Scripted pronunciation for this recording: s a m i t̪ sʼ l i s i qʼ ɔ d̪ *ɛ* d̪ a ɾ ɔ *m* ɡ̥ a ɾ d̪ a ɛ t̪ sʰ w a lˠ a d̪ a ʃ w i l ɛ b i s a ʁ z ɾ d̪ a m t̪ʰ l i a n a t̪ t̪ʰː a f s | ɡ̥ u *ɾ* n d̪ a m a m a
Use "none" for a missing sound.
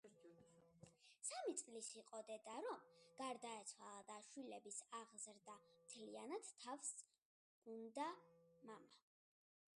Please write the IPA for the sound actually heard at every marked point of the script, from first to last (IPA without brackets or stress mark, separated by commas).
ɛ, m, none